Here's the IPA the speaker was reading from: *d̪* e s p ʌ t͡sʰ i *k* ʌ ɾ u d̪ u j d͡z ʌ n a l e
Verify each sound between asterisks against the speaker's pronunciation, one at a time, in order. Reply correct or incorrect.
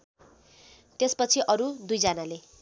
incorrect: t̪, incorrect: ʔ

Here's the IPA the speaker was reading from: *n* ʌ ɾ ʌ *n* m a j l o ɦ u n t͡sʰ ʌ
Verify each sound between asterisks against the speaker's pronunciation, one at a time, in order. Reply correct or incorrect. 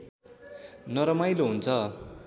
correct, incorrect: none

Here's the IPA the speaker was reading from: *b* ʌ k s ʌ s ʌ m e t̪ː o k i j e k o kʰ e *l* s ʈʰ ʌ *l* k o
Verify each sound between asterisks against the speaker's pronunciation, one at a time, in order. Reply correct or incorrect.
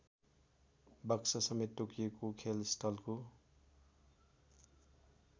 correct, correct, correct

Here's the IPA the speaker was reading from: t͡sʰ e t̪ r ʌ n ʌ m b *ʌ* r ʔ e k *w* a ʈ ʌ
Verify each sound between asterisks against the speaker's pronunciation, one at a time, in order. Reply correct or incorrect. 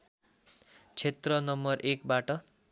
correct, incorrect: b

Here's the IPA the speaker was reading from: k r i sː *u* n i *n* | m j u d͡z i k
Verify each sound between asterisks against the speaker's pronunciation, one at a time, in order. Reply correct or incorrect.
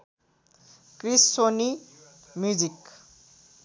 incorrect: o, incorrect: none

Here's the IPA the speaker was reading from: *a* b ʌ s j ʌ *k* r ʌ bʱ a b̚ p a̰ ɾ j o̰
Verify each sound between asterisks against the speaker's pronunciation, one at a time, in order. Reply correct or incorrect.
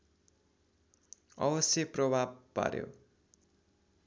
incorrect: ʌ, incorrect: p

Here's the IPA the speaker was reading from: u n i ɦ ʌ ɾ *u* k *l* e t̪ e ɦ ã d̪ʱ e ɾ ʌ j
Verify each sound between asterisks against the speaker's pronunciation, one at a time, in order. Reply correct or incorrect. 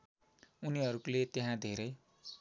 correct, correct

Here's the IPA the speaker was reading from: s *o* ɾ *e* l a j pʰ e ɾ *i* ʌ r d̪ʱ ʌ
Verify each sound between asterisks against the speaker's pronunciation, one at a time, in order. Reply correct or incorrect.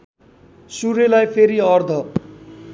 incorrect: u, correct, correct

